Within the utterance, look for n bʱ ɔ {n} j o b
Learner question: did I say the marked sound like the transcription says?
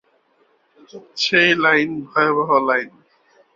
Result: no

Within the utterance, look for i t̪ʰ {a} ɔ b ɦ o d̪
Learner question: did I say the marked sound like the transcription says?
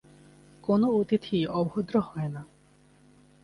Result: no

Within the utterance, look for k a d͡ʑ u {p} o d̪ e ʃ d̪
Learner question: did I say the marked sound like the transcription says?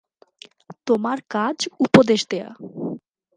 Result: yes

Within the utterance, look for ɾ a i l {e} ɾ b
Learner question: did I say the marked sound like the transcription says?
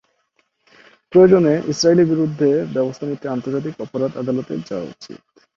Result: no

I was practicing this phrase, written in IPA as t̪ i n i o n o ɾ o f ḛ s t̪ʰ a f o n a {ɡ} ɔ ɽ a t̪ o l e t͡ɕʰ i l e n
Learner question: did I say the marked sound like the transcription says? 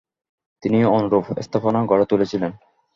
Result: yes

